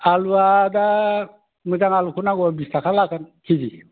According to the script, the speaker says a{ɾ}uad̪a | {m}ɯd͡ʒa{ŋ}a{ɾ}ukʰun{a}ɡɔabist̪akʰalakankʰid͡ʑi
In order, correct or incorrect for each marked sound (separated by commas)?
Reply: incorrect, correct, correct, incorrect, correct